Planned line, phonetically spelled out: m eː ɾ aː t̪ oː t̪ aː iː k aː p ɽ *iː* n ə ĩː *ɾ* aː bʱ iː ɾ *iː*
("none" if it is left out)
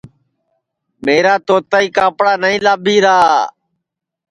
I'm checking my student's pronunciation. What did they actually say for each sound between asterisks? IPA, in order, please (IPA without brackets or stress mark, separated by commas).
aː, l, aː